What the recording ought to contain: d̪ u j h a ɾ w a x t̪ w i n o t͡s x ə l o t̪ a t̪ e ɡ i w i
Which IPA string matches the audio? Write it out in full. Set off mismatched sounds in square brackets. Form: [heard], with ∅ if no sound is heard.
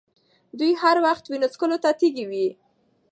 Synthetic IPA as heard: d̪ u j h a ɾ w a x t̪ w i n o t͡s [k] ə l o t̪ a t̪ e ɡ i w i